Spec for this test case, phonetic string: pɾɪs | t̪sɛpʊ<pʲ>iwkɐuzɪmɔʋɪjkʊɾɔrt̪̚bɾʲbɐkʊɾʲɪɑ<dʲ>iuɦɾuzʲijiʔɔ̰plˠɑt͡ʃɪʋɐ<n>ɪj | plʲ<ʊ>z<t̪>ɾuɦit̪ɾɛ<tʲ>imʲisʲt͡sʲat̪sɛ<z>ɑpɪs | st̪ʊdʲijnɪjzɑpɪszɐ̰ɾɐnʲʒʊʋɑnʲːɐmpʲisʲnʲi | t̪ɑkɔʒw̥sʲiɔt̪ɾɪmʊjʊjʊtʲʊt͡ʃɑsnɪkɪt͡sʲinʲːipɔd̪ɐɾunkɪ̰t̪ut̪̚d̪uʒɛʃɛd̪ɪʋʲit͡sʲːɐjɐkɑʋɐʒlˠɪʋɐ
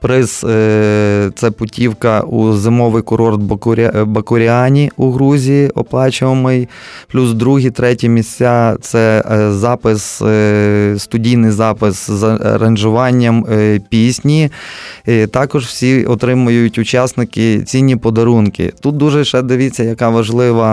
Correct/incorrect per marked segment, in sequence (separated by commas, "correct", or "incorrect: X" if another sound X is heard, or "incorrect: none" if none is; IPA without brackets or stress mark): incorrect: tʲ, incorrect: nʲ, incorrect: m, incorrect: u, incorrect: d̪, correct, correct